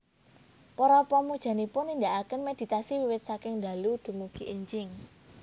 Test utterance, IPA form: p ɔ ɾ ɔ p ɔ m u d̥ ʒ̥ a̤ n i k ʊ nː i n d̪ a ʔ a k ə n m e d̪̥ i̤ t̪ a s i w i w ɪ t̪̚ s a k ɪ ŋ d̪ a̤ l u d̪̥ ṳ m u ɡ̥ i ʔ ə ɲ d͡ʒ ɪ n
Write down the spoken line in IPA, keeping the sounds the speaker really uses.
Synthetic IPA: p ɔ ɾ ɔ p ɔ m u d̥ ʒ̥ a̤ n i p ʊ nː i n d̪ a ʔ a k ə n m e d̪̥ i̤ t̪ a s i w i w ɪ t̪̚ s a k ɪ ŋ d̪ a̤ l u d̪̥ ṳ m u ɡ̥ i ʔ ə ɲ d͡ʒ ɪ ŋ